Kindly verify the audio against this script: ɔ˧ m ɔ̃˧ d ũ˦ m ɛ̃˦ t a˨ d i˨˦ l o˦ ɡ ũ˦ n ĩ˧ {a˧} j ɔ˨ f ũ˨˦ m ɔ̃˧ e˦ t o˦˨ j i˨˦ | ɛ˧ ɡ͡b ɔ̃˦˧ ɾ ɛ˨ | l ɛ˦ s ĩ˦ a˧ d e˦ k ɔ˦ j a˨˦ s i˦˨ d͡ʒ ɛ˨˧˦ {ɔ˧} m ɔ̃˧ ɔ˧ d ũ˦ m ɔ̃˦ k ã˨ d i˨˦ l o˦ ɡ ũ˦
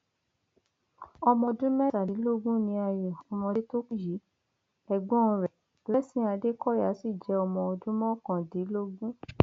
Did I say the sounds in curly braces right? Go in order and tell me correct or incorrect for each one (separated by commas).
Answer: correct, correct